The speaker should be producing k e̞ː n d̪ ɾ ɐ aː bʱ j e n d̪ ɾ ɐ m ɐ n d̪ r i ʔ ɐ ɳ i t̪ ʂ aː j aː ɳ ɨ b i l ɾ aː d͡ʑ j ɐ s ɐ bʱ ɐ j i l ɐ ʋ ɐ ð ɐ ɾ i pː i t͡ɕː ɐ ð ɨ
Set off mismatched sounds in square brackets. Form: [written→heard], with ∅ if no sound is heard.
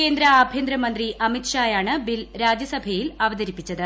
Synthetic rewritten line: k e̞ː n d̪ ɾ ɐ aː bʱ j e n d̪ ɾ ɐ m ɐ n d̪ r i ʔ ɐ [ɳ→m] i t̪ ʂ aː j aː ɳ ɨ b i l ɾ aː d͡ʑ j ɐ s ɐ bʱ ɐ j i l ɐ ʋ ɐ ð ɐ ɾ i pː i t͡ɕː ɐ ð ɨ